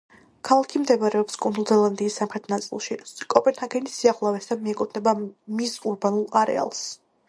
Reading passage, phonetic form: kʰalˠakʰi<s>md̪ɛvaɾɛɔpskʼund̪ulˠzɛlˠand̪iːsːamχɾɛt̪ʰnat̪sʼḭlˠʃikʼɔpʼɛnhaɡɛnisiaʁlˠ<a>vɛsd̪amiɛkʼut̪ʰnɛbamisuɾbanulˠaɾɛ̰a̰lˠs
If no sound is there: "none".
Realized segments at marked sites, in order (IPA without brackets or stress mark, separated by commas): none, a